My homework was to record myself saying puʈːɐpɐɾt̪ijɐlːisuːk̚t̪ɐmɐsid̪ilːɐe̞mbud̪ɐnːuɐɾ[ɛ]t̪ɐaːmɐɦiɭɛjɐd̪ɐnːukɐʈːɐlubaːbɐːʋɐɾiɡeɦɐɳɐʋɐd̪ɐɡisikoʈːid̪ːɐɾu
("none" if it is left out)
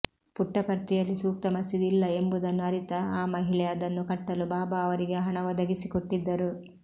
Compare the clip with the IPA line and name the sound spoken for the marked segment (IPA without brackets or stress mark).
i